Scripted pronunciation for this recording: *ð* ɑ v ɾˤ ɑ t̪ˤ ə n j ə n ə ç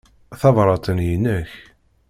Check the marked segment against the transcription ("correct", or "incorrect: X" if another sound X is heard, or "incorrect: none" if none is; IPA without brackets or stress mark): incorrect: θ